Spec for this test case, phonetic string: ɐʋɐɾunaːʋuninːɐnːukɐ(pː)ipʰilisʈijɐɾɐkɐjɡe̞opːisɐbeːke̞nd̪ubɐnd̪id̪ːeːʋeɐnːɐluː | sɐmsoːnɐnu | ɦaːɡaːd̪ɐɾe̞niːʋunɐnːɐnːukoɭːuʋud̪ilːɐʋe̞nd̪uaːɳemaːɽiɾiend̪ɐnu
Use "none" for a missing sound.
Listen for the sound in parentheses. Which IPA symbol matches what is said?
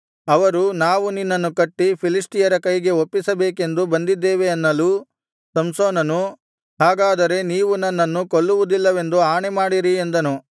ʈː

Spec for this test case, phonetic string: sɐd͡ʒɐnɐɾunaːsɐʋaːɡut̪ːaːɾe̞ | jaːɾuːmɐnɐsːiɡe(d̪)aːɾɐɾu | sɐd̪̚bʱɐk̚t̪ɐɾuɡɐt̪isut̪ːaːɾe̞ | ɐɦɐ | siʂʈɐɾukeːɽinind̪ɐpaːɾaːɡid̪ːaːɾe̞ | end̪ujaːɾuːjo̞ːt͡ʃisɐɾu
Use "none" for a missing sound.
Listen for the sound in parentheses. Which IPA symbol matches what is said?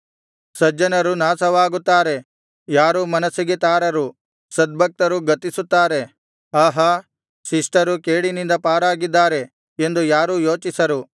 t̪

